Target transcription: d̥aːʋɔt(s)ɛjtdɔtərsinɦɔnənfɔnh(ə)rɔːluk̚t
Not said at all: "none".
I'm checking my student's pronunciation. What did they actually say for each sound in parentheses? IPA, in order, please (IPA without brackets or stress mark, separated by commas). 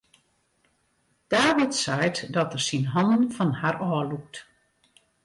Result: s, a